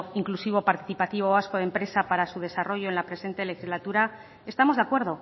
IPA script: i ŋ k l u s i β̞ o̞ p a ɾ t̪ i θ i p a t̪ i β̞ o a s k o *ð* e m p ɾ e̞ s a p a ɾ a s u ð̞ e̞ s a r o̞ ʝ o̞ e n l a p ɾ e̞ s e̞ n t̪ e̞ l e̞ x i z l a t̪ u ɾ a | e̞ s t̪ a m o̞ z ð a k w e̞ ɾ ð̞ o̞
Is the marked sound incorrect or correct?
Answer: correct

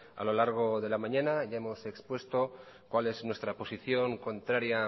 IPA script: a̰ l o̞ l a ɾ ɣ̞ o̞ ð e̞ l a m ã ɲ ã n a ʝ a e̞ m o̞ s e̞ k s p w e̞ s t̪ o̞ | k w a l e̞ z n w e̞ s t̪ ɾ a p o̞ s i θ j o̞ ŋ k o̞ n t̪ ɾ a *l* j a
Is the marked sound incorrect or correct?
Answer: incorrect: ɾ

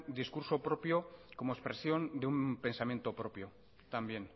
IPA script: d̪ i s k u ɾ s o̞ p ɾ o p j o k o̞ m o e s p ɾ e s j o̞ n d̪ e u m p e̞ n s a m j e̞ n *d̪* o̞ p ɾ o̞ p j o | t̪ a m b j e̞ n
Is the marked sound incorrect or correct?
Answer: incorrect: t̪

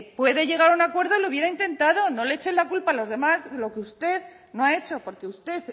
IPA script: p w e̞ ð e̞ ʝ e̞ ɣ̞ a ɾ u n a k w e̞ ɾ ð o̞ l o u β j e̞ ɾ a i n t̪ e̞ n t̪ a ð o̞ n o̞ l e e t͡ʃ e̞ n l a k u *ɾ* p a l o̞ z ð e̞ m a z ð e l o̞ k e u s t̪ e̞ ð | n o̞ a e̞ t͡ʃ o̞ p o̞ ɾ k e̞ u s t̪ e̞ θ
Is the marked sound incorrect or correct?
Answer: incorrect: l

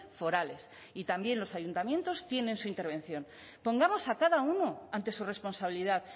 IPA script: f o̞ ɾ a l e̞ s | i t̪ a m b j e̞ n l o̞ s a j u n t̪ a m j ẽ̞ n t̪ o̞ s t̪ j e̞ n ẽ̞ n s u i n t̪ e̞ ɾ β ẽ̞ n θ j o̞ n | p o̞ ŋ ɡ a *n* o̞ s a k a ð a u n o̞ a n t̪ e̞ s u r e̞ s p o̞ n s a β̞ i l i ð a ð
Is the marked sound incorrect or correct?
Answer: incorrect: m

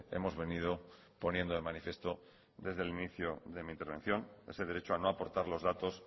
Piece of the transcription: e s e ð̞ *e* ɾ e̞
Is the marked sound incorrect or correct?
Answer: correct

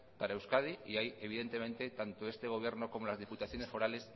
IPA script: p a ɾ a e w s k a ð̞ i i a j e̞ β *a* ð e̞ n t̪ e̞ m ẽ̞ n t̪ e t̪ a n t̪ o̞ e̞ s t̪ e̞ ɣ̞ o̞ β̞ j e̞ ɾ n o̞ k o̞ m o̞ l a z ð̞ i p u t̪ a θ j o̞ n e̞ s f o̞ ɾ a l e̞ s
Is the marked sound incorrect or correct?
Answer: incorrect: i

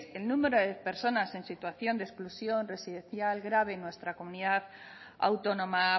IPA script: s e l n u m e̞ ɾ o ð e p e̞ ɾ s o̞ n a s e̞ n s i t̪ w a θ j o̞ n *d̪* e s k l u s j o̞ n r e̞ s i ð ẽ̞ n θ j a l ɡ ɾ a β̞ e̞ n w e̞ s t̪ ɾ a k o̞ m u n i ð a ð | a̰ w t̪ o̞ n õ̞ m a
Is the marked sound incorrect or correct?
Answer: correct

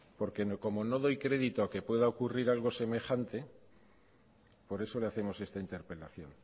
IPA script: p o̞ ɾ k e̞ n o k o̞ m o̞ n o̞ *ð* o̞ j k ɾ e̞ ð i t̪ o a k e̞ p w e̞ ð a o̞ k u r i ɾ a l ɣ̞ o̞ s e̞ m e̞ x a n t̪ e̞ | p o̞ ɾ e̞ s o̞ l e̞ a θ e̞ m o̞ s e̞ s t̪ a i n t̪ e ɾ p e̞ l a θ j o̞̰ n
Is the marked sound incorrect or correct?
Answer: correct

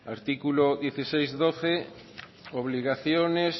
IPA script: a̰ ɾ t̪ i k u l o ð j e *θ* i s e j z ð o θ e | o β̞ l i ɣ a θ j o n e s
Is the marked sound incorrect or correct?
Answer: correct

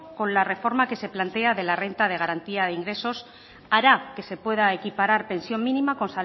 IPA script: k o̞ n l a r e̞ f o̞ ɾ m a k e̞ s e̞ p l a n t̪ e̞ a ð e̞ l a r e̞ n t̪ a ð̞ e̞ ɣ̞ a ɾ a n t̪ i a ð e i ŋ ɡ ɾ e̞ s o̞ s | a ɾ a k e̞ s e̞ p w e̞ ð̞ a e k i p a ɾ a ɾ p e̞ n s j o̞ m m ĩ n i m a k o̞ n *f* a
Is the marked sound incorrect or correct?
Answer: incorrect: s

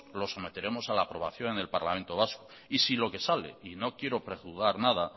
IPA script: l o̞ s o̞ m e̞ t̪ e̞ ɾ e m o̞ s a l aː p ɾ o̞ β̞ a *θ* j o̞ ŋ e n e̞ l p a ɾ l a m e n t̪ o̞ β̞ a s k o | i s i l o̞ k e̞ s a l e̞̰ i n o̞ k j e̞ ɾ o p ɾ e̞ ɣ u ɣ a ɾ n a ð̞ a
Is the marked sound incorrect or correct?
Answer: correct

